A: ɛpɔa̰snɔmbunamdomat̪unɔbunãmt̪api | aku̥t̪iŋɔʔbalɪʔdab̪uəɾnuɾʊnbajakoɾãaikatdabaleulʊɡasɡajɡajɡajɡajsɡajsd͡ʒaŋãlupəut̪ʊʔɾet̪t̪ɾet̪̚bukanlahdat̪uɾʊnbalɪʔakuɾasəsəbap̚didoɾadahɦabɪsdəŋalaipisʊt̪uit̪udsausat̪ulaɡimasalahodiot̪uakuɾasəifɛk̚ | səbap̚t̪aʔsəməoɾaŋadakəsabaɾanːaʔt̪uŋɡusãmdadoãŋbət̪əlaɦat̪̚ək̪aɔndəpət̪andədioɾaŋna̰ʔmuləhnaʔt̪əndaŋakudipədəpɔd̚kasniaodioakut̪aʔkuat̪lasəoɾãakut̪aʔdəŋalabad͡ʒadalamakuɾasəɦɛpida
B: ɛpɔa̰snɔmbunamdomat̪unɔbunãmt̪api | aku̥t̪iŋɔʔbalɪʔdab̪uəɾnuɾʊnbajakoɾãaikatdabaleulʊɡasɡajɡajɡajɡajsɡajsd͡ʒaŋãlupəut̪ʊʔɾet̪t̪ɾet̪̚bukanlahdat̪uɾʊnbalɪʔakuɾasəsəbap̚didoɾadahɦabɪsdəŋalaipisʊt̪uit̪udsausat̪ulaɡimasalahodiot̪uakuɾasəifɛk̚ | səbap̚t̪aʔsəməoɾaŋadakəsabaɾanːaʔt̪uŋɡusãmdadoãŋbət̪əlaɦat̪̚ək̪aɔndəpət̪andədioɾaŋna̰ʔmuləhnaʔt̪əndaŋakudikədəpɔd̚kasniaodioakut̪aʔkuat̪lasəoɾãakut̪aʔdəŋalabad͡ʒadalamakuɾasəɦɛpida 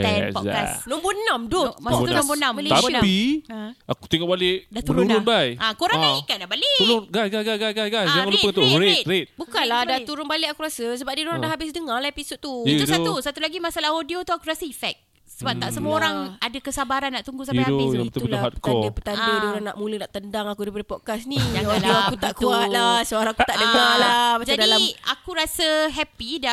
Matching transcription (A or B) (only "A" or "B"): A